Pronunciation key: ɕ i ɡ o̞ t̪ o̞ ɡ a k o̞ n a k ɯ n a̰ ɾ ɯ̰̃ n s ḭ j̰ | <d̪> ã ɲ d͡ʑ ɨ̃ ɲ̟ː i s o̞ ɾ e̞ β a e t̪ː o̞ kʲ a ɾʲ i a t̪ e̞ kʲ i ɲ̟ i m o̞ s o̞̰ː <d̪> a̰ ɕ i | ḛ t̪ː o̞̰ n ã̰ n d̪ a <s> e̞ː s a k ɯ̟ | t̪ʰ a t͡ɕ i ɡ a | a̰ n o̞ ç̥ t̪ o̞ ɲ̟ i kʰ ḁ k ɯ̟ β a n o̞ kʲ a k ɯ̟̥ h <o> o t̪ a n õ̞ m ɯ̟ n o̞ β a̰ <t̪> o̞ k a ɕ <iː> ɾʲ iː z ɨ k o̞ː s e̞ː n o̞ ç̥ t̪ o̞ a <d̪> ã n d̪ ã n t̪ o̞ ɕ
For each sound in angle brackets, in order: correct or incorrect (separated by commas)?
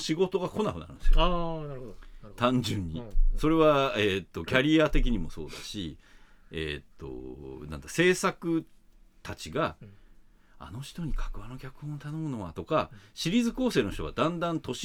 incorrect, correct, correct, incorrect, correct, incorrect, correct